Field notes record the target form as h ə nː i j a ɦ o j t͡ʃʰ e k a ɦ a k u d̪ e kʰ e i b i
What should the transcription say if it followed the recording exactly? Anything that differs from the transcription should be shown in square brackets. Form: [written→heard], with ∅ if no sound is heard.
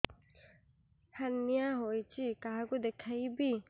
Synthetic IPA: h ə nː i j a ɦ o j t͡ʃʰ [e→i] k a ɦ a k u d̪ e kʰ [e→a] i b i